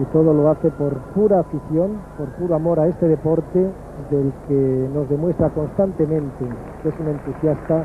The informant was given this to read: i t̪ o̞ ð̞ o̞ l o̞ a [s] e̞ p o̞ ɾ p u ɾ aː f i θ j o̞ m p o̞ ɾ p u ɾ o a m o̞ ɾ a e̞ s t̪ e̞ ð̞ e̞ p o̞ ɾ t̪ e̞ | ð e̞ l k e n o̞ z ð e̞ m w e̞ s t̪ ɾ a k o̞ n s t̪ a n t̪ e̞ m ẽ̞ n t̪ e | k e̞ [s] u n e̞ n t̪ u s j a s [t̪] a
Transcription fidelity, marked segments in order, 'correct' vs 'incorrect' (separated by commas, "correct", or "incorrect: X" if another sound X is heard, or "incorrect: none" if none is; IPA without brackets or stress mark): incorrect: θ, correct, correct